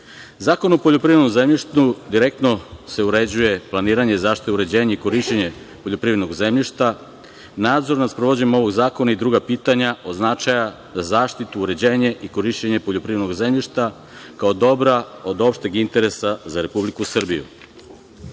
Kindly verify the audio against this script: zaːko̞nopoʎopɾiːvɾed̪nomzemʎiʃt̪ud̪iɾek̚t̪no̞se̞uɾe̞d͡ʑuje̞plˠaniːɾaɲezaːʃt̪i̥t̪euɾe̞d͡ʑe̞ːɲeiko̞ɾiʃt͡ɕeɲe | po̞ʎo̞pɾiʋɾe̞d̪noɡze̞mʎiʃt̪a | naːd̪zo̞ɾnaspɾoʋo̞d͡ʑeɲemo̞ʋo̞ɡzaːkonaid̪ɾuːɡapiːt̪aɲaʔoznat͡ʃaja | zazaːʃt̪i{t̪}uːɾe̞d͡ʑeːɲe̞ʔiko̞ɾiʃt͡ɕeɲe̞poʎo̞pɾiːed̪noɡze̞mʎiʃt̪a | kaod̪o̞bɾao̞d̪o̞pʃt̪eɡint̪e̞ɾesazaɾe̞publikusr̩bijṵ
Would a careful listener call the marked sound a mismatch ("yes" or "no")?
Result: no